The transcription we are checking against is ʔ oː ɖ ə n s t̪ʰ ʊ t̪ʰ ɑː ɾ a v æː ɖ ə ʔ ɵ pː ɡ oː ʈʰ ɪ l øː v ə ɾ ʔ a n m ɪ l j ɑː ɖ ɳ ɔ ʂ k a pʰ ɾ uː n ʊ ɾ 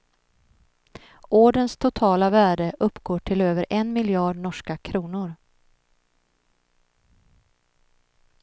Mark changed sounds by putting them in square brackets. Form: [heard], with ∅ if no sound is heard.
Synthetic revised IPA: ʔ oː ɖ ə n s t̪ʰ ʊ t̪ʰ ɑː [l] a v æː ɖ ə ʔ ɵ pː ɡ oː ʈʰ ɪ l øː v ə ɾ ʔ [ɛ] n m ɪ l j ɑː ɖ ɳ ɔ ʂ k a [kʰ] ɾ uː n ʊ ɾ